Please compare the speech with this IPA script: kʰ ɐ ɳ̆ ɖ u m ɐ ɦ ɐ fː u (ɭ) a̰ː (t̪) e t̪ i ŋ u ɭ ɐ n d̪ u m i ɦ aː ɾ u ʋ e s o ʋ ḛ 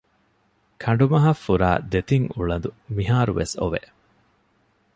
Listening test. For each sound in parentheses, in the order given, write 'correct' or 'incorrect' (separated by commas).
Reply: incorrect, incorrect